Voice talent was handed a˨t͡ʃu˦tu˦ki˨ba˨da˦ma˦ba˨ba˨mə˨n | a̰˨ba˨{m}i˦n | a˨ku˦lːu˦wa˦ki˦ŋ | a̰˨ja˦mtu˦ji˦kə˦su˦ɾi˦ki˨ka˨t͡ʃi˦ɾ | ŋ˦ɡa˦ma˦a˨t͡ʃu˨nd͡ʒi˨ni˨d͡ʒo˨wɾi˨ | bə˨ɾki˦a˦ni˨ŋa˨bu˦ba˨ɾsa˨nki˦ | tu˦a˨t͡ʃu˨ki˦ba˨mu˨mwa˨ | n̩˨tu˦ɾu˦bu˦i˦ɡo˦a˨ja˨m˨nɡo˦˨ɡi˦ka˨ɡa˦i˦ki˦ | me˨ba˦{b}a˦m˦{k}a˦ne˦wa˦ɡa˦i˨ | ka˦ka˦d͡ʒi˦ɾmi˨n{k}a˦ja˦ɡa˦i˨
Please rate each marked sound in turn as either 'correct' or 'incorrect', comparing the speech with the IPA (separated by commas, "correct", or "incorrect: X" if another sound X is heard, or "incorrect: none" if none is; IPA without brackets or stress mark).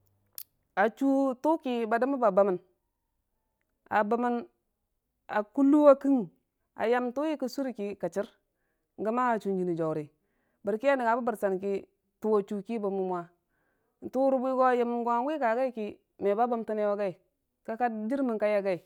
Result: correct, correct, incorrect: t, correct